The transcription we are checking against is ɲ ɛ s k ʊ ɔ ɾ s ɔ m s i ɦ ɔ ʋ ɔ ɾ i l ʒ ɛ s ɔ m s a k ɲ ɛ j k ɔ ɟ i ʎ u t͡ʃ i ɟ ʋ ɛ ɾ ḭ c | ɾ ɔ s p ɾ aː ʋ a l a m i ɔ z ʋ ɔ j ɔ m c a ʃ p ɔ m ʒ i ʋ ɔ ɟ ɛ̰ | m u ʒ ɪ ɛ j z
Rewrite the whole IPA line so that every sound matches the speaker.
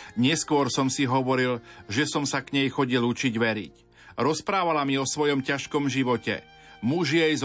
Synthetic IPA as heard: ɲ ɛ s k ʊ ɔ ɾ s ɔ m s i ɦ ɔ ʋ ɔ ɾ i l ʒ ɛ s ɔ m s a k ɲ ɛ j x ɔ ɟ i l u t͡ʃ i ɟ ʋ ɛ ɾ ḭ c | ɾ ɔ s p ɾ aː ʋ a l a m i ɔ s ʋ ɔ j ɔ m c a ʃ k ɔ m ʒ i ʋ ɔ c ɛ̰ | m u ʒ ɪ ɛ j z